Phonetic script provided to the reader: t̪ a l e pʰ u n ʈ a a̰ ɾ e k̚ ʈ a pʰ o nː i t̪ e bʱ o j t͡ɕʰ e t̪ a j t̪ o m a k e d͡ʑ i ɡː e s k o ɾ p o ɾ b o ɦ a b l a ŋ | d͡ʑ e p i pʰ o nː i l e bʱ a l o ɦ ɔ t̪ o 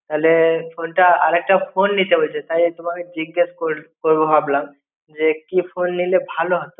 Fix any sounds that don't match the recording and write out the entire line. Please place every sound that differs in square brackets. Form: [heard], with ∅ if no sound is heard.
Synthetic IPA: t̪ a l e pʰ [o] n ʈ a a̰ ɾ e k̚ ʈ a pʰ o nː i t̪ e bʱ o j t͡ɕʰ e t̪ a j t̪ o m a k e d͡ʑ i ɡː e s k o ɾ [k] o ɾ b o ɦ a b l a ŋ | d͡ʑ e [k] i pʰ o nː i l e bʱ a l o ɦ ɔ t̪ o